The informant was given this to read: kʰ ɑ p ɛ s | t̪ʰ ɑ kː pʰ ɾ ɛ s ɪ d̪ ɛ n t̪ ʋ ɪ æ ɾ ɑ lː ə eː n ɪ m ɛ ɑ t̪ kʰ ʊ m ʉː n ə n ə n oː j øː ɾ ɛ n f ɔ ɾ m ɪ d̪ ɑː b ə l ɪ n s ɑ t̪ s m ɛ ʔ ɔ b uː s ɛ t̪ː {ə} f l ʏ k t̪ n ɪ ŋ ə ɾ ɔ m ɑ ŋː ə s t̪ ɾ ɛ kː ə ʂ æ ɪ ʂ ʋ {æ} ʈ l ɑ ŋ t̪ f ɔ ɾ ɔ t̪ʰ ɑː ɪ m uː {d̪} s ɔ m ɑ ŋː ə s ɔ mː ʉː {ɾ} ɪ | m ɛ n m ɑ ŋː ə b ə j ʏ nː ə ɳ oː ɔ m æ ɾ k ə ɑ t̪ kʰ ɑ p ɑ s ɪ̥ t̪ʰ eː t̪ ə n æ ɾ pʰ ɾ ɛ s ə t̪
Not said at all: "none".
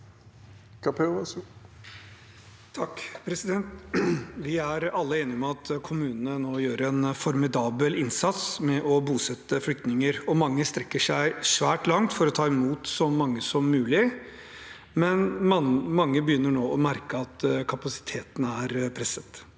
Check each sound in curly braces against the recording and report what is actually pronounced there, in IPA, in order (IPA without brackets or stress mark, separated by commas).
ə, æː, t̪, l